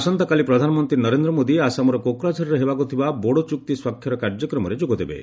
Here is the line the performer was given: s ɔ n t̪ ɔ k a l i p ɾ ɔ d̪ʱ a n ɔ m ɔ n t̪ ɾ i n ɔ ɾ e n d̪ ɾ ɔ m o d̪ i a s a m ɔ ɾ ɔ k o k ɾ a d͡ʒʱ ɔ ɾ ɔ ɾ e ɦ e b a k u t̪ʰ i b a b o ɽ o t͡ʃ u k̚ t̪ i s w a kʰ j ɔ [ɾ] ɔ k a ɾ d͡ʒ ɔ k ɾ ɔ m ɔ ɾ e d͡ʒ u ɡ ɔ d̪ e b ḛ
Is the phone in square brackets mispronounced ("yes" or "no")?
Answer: no